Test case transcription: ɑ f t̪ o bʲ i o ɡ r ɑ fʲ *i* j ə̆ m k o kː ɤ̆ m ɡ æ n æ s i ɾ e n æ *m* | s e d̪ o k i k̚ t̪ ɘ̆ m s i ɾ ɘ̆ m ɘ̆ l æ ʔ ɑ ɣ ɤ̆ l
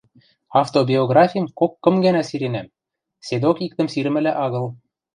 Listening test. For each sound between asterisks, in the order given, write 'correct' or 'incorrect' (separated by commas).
correct, correct